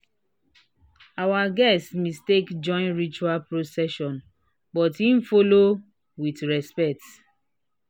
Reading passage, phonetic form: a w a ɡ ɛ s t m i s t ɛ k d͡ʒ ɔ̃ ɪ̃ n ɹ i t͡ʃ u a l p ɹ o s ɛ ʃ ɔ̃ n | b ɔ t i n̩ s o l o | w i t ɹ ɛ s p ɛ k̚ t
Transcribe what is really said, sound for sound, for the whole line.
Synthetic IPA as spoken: a w a ɡ ɛ s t m i s t e k d͡ʒ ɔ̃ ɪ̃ n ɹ i t͡ʃ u a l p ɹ o s ɛ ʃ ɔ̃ n | b ɔ t i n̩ f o l o | w i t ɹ ɛ s p ɛ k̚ t